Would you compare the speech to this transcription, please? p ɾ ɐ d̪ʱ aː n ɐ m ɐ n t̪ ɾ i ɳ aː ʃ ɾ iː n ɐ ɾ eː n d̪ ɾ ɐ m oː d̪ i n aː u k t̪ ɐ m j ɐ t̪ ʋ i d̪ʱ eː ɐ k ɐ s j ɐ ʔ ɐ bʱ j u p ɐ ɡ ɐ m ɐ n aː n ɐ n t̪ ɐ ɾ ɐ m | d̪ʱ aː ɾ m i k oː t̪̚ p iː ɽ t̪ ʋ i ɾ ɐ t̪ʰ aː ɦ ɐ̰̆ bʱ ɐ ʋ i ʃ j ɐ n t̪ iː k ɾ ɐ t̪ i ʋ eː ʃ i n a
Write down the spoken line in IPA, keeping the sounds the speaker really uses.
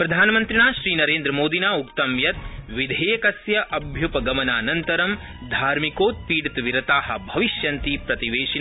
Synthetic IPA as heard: p ɾ ɐ d̪ʱ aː n ɐ m ɐ n t̪ ɾ i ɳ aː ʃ ɾ iː n ɐ ɾ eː n d̪ ɾ ɐ m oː d̪ i n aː u k t̪ ɐ m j ɐ t̪ ʋ i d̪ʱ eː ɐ k ɐ s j ɐ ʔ ɐ bʱ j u p ɐ ɡ ɐ m ɐ n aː n ɐ n t̪ ɐ ɾ ɐ m | d̪ʱ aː ɾ m i k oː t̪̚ p iː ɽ t̪ ʋ i ɾ ɐ t̪ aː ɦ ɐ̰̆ bʱ ɐ ʋ i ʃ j ɐ n t̪ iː p ɾ ɐ t̪ i ʋ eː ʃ i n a